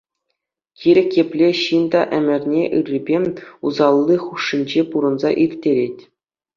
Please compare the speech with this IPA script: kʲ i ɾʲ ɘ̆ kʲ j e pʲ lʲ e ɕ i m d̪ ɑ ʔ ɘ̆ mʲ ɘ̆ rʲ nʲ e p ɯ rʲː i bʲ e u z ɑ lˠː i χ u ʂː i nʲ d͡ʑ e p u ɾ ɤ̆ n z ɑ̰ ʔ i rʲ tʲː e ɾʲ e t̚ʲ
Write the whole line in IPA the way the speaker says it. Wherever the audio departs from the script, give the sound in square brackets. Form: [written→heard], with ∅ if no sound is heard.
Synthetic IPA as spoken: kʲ i ɾʲ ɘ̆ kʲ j e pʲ lʲ e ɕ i [m→n] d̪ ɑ ʔ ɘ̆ mʲ ɘ̆ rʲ nʲ e [p→ʔ] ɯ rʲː i bʲ e u z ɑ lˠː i χ u ʂː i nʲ d͡ʑ e p u ɾ ɤ̆ n z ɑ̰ ʔ i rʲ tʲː e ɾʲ e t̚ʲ